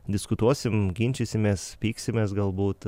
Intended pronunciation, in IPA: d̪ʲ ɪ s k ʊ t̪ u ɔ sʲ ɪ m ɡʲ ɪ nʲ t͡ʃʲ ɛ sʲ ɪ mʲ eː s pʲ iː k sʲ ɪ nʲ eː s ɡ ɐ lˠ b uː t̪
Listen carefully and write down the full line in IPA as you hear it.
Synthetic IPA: d̪ʲ ɪ s k ʊ t̪ u ɔ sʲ ɪ m ɡʲ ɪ nʲ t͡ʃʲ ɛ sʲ ɪ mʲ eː s pʲ iː k sʲ ɪ mʲ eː s ɡ ɐ lˠ b uː t̪